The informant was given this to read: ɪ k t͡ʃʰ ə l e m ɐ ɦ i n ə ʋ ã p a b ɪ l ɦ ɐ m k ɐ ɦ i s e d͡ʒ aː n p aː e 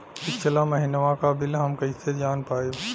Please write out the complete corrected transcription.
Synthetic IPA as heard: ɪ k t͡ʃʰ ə l a m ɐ ɦ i n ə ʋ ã k a b ɪ l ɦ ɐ m k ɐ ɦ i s e d͡ʒ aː n p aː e

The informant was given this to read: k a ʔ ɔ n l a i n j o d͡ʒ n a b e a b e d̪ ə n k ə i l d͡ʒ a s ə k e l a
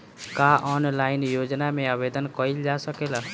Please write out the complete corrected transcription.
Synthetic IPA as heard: k a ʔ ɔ n l a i n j o d͡ʒ n a m e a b e d̪ ə n k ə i l d͡ʒ a s ə k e l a

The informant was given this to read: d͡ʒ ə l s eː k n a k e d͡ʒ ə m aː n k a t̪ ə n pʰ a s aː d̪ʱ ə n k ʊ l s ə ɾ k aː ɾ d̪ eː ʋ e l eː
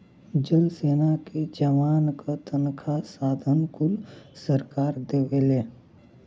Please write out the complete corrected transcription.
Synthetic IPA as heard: d͡ʒ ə l s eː n a k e d͡ʒ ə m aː n k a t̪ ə n kʰ a s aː d̪ʱ ə n k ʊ l s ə ɾ k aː ɾ d̪ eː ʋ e l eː

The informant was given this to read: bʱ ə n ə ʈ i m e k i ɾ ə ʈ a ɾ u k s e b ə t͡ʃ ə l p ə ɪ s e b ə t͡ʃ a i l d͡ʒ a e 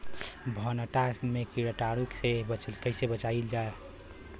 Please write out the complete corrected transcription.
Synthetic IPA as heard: bʱ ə n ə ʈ a m e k i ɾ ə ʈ a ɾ u k s e b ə t͡ʃ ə l k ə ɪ s e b ə t͡ʃ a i l d͡ʒ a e

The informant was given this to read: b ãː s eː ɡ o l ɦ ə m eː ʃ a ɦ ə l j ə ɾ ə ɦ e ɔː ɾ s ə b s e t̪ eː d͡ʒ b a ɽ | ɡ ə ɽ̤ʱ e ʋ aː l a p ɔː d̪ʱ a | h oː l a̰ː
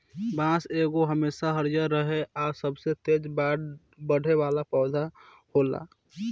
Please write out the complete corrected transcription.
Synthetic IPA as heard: b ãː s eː ɡ o ɦ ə m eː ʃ a ɦ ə ɾ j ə ɾ ə ɦ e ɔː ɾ s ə b s e t̪ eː d͡ʒ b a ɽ | b ə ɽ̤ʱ e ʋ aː l a p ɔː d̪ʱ a | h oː l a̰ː

